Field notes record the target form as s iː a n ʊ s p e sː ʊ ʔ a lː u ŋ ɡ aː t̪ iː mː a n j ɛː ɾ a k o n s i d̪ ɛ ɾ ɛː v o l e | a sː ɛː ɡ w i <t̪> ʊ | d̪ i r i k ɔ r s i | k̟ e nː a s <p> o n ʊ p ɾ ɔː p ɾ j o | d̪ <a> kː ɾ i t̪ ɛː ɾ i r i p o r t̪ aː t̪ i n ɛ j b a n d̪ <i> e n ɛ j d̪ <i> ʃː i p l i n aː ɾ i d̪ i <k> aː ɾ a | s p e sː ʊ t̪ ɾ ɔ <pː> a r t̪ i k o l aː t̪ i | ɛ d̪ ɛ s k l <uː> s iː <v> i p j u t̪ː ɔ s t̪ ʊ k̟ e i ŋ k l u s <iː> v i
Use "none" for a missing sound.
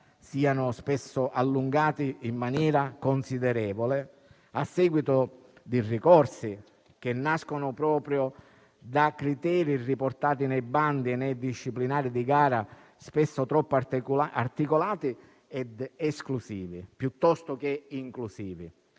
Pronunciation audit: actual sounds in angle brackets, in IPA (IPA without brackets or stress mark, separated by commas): t̪, k, a, i, i, ɡ, pː, u, v, iː